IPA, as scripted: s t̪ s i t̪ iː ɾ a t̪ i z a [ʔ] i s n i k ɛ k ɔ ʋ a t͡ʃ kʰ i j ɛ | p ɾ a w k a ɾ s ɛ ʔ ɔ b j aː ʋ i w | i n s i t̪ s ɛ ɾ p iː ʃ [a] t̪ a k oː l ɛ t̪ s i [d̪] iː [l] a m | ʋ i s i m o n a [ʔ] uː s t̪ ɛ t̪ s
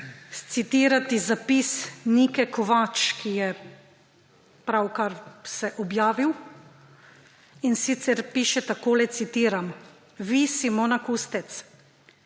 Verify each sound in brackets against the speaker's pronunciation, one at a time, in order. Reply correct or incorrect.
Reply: incorrect: p, incorrect: ɛ, incorrect: t̪, incorrect: ɾ, incorrect: k

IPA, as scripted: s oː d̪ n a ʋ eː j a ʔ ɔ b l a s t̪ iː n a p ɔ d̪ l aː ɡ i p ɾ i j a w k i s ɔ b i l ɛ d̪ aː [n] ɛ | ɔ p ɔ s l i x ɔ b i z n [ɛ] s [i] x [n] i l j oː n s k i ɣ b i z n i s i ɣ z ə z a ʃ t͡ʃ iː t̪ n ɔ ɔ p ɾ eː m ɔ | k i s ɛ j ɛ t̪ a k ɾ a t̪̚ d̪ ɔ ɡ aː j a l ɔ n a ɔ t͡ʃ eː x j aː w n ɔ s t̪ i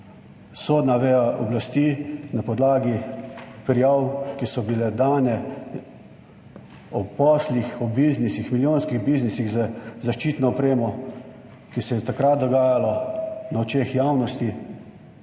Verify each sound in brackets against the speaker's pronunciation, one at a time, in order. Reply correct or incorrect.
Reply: correct, incorrect: i, correct, incorrect: m

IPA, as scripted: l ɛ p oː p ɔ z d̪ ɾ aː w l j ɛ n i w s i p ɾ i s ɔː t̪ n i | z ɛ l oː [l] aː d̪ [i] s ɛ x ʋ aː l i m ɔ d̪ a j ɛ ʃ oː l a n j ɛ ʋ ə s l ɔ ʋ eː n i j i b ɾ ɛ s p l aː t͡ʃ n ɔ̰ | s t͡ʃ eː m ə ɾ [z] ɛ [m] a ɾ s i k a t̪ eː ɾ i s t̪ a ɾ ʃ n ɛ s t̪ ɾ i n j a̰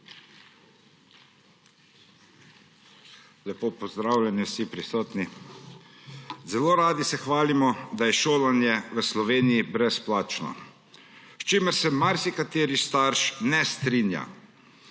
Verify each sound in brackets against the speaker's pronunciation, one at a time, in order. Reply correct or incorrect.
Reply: incorrect: ɾ, correct, incorrect: s, correct

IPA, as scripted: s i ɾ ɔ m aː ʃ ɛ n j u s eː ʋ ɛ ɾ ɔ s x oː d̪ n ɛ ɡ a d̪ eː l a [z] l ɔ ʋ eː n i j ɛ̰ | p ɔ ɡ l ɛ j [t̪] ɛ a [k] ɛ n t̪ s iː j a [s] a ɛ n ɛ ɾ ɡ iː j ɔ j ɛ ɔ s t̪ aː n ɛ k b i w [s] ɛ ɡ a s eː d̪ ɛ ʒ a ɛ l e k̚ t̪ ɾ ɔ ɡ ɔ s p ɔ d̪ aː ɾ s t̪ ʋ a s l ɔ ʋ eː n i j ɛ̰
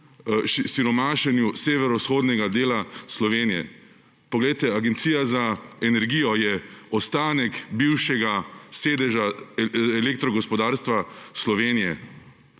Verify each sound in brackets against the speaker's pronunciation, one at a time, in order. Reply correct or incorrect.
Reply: incorrect: s, correct, incorrect: ɡ, incorrect: z, incorrect: ʃ

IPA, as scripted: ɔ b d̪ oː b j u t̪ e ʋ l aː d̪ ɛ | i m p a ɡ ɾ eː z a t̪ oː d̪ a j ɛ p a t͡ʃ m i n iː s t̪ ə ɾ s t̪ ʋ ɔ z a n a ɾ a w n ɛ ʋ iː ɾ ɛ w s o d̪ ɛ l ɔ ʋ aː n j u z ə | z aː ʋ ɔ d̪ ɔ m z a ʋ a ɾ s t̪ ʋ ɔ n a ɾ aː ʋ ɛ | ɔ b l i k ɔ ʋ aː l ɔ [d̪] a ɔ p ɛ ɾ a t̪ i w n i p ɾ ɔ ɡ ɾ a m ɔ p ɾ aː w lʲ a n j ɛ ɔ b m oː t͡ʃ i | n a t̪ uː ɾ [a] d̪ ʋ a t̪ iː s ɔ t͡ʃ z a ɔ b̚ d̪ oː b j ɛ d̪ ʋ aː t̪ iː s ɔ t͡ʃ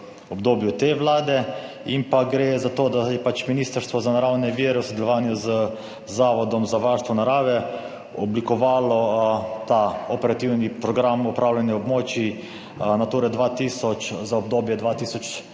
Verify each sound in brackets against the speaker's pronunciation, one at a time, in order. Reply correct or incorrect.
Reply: incorrect: t̪, incorrect: ɛ

